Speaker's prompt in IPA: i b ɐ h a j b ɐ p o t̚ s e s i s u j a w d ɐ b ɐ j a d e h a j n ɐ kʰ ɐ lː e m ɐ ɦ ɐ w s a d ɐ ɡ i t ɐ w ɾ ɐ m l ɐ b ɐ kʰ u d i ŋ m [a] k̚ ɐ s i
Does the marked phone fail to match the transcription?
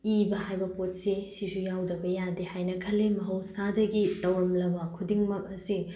yes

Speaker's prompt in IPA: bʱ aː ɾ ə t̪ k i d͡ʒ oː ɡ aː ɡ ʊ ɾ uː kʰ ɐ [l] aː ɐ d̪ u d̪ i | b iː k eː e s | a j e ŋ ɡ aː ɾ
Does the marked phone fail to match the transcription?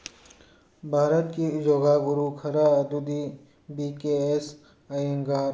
yes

